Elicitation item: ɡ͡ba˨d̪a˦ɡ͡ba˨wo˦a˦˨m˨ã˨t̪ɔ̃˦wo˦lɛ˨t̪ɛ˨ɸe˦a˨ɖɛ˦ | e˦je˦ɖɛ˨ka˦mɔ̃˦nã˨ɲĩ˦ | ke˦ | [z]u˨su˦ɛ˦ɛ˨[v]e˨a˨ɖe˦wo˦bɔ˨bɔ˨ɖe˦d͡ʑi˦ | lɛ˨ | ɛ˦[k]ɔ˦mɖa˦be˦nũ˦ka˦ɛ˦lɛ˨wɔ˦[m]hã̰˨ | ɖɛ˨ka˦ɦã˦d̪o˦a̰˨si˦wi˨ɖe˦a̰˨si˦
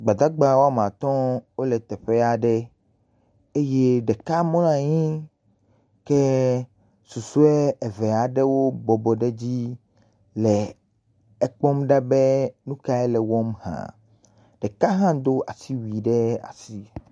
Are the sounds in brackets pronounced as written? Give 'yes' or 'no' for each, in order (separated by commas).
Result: no, yes, no, yes